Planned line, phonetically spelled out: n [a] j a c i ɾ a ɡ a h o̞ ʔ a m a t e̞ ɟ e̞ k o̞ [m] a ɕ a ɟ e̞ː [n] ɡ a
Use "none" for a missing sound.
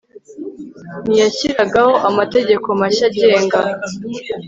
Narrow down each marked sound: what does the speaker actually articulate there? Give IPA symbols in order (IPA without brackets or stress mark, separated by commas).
i, m, ŋ